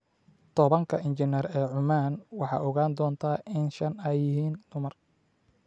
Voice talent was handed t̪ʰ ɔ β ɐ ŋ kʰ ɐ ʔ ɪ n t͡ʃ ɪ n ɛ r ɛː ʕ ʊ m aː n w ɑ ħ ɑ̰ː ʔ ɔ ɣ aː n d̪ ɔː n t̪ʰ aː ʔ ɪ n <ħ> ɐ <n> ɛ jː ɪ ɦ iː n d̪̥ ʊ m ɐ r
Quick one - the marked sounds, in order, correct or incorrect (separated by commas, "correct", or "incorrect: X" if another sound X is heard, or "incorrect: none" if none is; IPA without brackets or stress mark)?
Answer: incorrect: ʃ, correct